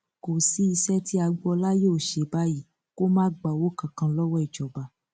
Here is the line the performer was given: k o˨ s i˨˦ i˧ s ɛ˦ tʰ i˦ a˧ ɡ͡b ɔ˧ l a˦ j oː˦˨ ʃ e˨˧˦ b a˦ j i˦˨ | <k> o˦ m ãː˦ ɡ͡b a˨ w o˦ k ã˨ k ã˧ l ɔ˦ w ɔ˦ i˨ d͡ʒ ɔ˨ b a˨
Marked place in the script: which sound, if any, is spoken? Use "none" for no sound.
k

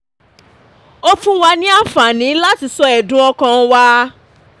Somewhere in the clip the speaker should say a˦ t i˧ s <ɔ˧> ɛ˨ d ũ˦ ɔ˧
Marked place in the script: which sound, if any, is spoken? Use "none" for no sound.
ɔ˧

